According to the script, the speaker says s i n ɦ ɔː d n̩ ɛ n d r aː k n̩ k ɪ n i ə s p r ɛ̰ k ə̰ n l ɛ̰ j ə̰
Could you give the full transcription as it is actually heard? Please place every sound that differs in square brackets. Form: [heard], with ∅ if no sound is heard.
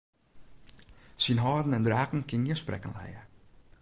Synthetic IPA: s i n ɦ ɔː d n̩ ɛ n d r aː k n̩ k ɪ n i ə s p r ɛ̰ k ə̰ n l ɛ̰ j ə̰